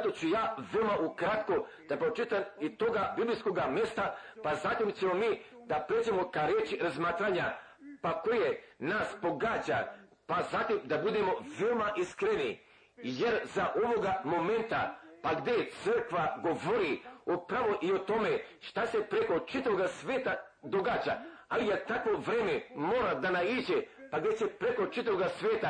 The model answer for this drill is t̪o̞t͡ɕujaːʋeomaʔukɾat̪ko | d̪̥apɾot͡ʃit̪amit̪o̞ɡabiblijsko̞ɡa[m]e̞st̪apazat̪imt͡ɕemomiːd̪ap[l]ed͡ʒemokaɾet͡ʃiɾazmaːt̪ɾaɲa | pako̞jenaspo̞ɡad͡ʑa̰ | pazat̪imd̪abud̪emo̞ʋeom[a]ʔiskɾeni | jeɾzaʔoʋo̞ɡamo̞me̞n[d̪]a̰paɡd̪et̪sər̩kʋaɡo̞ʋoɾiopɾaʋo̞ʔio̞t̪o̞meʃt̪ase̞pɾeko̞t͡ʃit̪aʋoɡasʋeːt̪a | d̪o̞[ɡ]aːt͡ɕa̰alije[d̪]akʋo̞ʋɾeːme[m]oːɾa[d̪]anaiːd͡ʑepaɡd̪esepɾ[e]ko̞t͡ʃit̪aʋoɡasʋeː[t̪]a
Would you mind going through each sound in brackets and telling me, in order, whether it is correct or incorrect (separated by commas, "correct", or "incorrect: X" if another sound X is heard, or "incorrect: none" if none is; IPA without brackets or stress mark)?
correct, incorrect: ɾ, correct, incorrect: t̪, correct, incorrect: t̪, correct, correct, correct, correct